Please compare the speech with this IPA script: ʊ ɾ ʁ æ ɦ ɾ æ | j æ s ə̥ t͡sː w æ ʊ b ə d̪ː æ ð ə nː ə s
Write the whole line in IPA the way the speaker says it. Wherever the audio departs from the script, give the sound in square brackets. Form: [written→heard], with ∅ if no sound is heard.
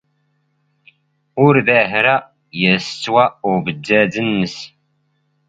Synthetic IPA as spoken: ʊ ɾ [ʁ→ð] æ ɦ ɾ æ | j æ s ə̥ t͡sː w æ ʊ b ə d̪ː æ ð ə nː ə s